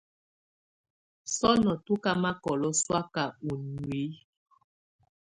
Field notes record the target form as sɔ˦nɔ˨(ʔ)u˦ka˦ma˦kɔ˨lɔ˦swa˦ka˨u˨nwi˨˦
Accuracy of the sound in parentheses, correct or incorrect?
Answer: incorrect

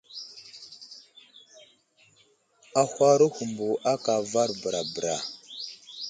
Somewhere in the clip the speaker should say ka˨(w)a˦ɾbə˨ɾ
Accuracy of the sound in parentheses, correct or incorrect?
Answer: incorrect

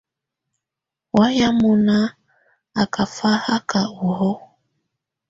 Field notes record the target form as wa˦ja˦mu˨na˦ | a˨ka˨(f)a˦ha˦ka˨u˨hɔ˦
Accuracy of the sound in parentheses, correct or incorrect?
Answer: correct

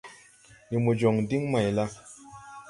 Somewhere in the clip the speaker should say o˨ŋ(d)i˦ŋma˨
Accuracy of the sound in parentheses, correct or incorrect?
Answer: correct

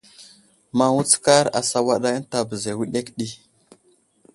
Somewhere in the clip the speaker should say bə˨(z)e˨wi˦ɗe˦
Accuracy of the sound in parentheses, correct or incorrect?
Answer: correct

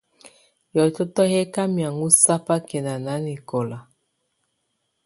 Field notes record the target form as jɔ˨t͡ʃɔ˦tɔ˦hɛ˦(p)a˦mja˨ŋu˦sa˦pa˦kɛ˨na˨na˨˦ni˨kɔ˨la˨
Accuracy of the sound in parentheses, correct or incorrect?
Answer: incorrect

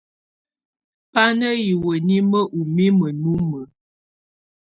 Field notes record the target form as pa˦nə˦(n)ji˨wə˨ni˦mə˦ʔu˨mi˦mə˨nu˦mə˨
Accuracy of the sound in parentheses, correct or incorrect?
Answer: incorrect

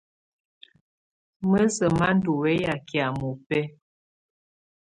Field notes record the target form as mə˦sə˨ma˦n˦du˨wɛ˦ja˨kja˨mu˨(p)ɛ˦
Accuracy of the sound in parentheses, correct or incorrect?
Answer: correct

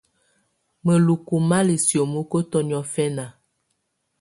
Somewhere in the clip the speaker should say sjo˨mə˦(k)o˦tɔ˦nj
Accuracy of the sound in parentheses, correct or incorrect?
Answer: correct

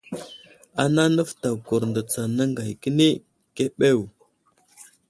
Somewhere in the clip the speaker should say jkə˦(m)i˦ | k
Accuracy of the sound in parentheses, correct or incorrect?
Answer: incorrect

